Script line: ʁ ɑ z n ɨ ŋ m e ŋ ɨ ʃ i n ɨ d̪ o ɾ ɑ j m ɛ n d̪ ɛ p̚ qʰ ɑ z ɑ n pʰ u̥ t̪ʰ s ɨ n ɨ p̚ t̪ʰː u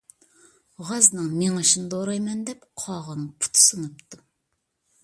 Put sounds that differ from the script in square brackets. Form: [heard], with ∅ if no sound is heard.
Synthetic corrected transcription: ʁ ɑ z n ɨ ŋ m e ŋ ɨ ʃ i n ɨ d̪ o ɾ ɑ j m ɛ n d̪ ɛ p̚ qʰ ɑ [ʁ] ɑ n pʰ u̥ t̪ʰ s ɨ n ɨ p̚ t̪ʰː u